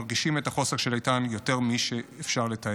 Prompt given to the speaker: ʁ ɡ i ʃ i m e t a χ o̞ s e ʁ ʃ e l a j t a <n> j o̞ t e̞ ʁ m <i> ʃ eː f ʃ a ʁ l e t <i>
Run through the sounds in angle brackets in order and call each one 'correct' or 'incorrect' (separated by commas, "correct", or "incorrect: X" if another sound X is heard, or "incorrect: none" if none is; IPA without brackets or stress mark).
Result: correct, correct, incorrect: a